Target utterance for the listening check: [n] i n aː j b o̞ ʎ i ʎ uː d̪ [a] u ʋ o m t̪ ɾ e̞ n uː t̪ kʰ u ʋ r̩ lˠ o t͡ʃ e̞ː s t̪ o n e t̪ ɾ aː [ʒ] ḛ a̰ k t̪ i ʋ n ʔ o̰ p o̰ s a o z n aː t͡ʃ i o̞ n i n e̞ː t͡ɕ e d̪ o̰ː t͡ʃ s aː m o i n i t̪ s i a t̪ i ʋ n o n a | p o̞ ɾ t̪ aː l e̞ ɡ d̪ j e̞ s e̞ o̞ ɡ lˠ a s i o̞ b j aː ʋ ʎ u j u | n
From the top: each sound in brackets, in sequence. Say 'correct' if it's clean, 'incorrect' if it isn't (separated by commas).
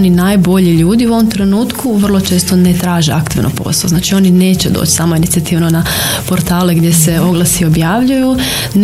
correct, incorrect, correct